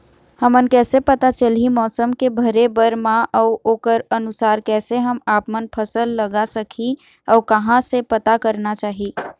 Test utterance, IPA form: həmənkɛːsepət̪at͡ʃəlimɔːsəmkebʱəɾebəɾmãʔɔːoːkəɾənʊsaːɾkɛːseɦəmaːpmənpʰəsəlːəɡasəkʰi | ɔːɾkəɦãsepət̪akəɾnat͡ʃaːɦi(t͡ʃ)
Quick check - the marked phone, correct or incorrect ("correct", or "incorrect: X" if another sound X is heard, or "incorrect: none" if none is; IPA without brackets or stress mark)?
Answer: incorrect: none